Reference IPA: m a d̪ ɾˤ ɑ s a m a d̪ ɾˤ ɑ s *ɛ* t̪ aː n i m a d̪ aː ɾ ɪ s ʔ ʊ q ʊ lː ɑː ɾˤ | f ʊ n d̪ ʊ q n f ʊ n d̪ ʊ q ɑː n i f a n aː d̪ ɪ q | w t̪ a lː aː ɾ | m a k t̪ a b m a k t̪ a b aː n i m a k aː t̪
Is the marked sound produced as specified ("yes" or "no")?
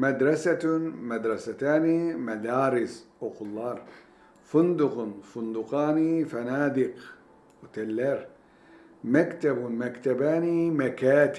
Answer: no